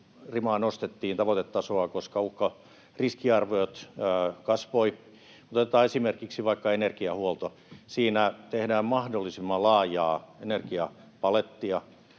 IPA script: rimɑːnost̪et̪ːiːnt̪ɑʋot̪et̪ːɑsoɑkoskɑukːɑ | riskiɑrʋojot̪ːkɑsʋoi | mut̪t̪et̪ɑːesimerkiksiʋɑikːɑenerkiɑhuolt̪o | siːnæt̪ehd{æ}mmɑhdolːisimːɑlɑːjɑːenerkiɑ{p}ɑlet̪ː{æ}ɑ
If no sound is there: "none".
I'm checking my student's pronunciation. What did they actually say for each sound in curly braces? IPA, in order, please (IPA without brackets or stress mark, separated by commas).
æː, p, i